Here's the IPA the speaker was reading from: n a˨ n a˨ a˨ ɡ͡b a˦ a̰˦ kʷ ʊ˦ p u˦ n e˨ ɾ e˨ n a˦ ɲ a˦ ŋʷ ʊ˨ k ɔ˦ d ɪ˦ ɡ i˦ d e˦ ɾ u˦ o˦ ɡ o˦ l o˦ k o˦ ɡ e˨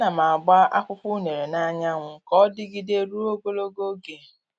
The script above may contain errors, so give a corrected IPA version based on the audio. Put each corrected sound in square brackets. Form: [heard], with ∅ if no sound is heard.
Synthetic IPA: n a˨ [m] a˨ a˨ ɡ͡b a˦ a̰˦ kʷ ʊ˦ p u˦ n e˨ ɾ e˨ n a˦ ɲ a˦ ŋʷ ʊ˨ k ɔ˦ d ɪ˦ ɡ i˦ d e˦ ɾ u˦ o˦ ɡ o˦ l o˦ [ɡ] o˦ ɡ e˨